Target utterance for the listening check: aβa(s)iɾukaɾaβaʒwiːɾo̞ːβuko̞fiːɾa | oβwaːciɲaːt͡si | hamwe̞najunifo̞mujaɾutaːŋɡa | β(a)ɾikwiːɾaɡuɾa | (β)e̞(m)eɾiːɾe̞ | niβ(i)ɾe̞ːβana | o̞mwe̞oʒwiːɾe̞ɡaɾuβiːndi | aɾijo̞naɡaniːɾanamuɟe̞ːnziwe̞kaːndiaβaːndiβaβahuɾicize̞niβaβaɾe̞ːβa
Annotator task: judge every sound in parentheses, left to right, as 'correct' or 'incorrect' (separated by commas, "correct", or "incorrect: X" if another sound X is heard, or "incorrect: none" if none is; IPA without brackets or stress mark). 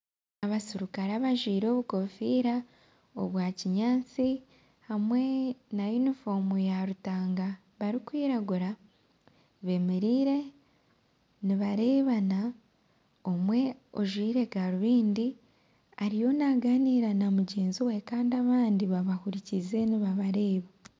correct, correct, correct, correct, incorrect: a